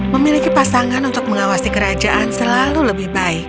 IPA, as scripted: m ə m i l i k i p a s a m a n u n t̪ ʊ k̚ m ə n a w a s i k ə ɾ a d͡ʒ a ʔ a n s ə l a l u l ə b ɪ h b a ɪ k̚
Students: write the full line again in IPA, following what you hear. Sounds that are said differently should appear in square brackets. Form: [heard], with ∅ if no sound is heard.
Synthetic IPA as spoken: m ə m i l i k i p a s a [ŋ] a n u n t̪ ʊ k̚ m ə [ŋ] a w a s i k ə ɾ a d͡ʒ a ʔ a n s ə l a l u l ə b ɪ h b a ɪ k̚